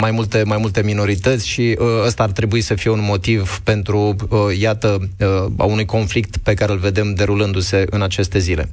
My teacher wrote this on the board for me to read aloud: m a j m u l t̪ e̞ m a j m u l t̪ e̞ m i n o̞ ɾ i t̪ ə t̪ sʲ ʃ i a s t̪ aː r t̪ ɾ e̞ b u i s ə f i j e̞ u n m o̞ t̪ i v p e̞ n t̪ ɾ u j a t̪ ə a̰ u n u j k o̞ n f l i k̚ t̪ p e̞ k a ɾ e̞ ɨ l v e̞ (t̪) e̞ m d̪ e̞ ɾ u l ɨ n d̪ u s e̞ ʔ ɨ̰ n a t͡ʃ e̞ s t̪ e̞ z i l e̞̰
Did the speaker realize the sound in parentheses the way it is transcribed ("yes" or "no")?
no